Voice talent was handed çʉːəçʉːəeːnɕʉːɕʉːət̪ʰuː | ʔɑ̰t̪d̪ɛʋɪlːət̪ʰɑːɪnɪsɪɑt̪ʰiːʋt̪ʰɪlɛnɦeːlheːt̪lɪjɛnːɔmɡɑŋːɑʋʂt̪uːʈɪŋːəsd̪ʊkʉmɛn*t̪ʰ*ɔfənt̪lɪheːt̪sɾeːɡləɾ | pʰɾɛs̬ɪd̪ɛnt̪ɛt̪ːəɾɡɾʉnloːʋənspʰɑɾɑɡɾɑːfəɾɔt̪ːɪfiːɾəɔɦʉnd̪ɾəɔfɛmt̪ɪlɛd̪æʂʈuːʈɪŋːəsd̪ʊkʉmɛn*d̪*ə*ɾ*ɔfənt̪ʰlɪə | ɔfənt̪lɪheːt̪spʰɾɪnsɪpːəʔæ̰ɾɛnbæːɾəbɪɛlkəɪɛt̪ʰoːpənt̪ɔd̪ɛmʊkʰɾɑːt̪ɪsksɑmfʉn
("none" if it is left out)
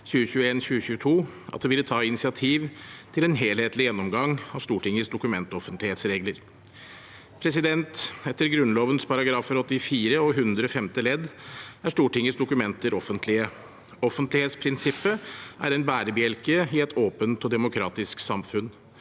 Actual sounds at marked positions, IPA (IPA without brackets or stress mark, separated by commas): t̪, t̪, ɾ